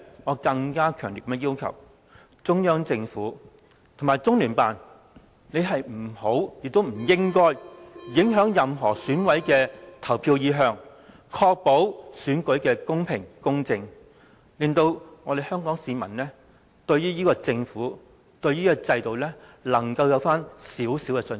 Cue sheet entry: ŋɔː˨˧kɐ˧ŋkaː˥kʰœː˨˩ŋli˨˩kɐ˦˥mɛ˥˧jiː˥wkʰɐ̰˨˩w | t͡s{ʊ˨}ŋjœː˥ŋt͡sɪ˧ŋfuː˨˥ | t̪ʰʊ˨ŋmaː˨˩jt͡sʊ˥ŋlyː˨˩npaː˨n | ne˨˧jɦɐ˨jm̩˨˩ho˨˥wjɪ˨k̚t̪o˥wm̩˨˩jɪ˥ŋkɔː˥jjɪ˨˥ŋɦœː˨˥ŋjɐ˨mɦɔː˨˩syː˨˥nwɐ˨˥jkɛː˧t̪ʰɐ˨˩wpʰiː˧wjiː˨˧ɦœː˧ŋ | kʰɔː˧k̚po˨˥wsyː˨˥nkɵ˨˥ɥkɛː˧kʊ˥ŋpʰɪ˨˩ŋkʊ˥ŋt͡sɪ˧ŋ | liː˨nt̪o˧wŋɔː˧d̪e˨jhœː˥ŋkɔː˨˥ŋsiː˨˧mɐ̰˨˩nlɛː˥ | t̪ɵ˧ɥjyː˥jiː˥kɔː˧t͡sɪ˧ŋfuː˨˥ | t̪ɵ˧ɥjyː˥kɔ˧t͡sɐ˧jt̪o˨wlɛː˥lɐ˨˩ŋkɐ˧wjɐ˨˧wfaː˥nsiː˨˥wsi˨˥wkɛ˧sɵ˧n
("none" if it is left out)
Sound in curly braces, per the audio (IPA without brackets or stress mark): ʊ˥